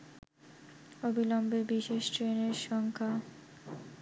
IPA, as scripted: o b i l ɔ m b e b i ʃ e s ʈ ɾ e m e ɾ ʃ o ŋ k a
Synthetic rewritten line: o b i l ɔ m b e b i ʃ e ʃ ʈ ɾ e n e ɾ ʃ ɔ ŋ kʰ a